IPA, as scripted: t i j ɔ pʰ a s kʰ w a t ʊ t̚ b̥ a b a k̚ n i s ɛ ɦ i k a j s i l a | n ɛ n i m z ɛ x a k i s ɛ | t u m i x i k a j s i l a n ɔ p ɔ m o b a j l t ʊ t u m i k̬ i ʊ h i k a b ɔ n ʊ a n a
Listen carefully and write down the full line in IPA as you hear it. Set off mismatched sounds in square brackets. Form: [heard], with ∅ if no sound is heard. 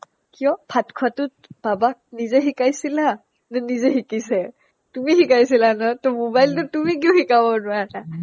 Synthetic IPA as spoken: [k] i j ɔ pʰ a [t] kʰ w a t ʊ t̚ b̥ a b a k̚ n i [z] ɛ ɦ i k a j s i l a | n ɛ n i [∅] z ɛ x [i] k i s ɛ | t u m i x i k a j s i l a n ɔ [t] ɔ m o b a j l t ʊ t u m i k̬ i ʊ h i k a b ɔ n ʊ a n a